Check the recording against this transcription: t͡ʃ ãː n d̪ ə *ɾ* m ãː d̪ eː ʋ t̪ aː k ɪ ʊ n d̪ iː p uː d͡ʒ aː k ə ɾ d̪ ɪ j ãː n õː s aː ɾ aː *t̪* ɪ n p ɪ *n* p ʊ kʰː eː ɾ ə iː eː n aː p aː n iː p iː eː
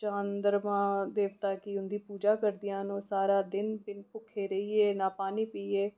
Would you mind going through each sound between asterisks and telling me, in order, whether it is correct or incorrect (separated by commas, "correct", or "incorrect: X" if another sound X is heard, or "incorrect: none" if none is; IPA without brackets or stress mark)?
correct, incorrect: d̪, correct